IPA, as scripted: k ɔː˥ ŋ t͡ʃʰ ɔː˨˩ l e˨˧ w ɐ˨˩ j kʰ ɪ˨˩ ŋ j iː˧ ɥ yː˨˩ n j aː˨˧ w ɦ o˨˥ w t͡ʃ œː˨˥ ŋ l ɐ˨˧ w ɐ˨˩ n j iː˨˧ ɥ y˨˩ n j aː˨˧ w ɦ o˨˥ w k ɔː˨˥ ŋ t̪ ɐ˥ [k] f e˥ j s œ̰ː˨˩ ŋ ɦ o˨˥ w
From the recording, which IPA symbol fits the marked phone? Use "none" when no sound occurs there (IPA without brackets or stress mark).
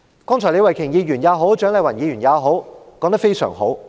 k